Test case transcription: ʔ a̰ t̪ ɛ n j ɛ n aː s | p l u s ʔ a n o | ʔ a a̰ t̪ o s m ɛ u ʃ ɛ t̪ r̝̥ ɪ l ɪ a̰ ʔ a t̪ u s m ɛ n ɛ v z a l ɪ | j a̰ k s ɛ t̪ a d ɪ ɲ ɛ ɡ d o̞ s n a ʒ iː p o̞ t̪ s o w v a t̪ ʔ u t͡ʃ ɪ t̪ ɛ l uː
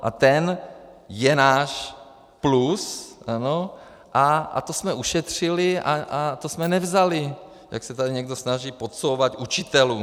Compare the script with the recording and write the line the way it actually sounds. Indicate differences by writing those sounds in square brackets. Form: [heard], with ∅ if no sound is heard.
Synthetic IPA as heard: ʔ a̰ t̪ ɛ n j ɛ n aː [ʃ] | p l u s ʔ a n o | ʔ a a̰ t̪ o s m ɛ u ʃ ɛ t̪ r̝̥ ɪ l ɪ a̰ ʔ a t̪ [o] s m ɛ n ɛ v z a l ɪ | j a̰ k s ɛ t̪ a d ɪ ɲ ɛ ɡ d o̞ s n a ʒ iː p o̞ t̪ s o w v a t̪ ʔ u t͡ʃ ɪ t̪ ɛ l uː

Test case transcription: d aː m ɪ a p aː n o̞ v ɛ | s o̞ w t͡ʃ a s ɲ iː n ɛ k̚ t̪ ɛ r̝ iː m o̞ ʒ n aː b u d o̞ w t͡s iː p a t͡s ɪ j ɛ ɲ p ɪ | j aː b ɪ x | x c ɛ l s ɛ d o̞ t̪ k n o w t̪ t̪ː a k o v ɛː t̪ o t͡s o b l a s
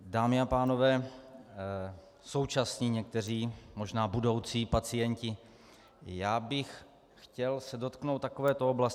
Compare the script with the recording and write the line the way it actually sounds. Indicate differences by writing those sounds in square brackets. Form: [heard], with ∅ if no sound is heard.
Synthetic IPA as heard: d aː m ɪ a p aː n o̞ v [ɛː] | s o̞ w t͡ʃ a s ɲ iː [ɲ] ɛ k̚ t̪ ɛ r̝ iː m o̞ ʒ n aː b u d o̞ w t͡s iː p a t͡s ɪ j ɛ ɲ [c] ɪ | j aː b ɪ x | x c ɛ l s ɛ d o̞ t̪ k n o w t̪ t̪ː a k o v ɛː t̪ o [∅] o b l a s

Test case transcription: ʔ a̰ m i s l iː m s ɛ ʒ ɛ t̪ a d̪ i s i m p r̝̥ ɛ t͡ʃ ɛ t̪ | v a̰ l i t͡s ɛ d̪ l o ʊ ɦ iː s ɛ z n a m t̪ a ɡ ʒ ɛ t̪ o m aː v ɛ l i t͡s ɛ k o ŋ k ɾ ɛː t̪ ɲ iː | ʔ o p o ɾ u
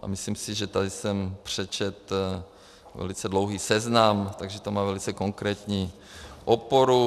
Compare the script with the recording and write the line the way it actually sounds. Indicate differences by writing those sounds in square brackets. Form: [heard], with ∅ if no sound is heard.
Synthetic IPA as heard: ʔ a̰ m i s l iː m s [i] ʒ ɛ t̪ a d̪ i s [ɛ] m p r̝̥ ɛ t͡ʃ ɛ t̪ | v [ɛ̰] l i t͡s ɛ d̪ l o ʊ ɦ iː s ɛ z n a m t̪ a ɡ ʒ ɛ t̪ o m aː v ɛ l i t͡s ɛ k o ŋ k ɾ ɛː t̪ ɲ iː | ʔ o p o ɾ u

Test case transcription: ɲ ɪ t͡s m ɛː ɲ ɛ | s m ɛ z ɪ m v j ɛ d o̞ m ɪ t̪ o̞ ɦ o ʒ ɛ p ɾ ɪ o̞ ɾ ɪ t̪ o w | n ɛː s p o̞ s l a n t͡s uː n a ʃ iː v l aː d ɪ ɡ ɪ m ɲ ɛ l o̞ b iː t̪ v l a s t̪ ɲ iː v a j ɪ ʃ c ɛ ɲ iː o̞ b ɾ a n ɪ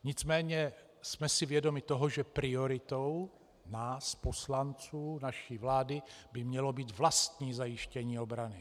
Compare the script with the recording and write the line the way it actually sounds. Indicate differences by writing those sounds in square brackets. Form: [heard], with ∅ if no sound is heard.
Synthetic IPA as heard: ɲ ɪ t͡s m ɛː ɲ ɛ | s m ɛ [s] ɪ [∅] v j ɛ d o̞ m ɪ t̪ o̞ ɦ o ʒ ɛ p ɾ ɪ o̞ ɾ ɪ t̪ o w | n [aː] s p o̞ s l a n t͡s uː n a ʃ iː v l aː d ɪ [b] ɪ m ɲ ɛ l o̞ b iː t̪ v l a s t̪ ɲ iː [z] a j ɪ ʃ c ɛ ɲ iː o̞ b ɾ a n ɪ

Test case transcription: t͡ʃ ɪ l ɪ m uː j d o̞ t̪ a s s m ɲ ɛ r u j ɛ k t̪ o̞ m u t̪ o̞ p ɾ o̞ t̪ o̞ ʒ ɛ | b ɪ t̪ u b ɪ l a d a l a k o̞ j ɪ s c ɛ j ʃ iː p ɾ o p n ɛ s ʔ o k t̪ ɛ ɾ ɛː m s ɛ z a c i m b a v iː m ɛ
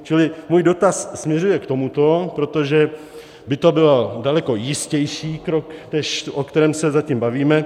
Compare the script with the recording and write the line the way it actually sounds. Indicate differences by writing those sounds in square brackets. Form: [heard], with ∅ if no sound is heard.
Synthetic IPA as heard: t͡ʃ ɪ l ɪ m uː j d o̞ t̪ a s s m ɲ ɛ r u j ɛ k t̪ o̞ m u t̪ o̞ p ɾ o̞ t̪ o̞ ʒ ɛ | b ɪ t̪ [o] b ɪ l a d a l [ɛ] k o̞ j ɪ s c ɛ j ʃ iː [k] ɾ o [k] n ɛ [ʃ] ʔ o k t̪ ɛ ɾ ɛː m s ɛ z a c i m b a v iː m ɛ

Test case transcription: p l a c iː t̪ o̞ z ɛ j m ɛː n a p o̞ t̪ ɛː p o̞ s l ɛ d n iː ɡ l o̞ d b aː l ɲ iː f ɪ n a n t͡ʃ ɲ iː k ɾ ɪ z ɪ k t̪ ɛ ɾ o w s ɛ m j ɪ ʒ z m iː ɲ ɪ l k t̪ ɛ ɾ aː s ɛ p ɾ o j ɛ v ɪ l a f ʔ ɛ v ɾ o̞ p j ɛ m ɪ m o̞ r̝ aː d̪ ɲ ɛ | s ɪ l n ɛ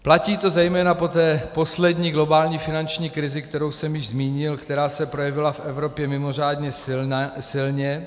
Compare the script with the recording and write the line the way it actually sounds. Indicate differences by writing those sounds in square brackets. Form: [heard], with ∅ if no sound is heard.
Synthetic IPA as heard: p l a c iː t̪ o̞ z ɛ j m ɛː n a p o̞ t̪ ɛː p o̞ s l ɛ d [ɲ] iː ɡ l o̞ [∅] b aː l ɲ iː f ɪ n a n t͡ʃ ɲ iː k ɾ ɪ z ɪ k t̪ ɛ ɾ o w s ɛ m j ɪ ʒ z m iː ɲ ɪ l k t̪ ɛ ɾ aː s ɛ p ɾ o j ɛ v ɪ l a f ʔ ɛ v ɾ o̞ p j ɛ m ɪ m o̞ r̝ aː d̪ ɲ ɛ | s ɪ l [ɲ] ɛ

